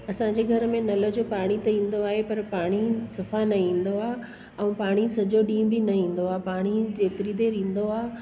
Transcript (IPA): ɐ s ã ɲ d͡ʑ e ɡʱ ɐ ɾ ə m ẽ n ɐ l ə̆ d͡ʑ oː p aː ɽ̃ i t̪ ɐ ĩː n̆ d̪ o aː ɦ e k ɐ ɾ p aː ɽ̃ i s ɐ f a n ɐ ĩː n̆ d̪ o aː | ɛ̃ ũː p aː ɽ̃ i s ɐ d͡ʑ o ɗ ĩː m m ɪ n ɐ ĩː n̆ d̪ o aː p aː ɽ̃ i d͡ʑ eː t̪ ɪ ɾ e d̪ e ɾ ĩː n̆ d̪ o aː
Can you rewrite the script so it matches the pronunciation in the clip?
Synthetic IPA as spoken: ɐ s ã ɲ d͡ʑ e ɡʱ ɐ ɾ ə m ẽ n ɐ l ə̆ d͡ʑ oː p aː ɽ̃ i t̪ ɐ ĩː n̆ d̪ o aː ɦ e p ɐ ɾ p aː ɽ̃ i s ɐ f a n ɐ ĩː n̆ d̪ o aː | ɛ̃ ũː p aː ɽ̃ i s ɐ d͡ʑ o ɗ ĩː m b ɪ n ɐ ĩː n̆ d̪ o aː p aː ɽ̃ i d͡ʑ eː t̪ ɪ ɾ i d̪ e ɾ ĩː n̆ d̪ o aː